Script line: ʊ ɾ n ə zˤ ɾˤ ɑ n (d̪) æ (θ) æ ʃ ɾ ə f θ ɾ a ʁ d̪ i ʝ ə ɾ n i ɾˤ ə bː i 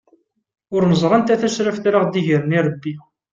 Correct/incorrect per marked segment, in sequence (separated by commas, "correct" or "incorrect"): incorrect, correct